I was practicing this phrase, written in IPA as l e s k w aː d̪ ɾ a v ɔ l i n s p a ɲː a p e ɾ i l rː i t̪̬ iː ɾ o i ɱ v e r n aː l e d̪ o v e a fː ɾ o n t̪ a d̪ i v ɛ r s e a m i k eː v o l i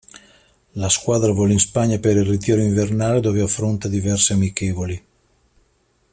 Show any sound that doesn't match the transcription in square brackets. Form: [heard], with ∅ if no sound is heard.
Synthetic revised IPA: l [a] s k w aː d̪ ɾ a v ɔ l i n s p a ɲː a p e ɾ i l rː i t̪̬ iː ɾ o i ɱ v e r n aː l e d̪ o v e a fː ɾ o n t̪ a d̪ i v ɛ r s e a m i k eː v o l i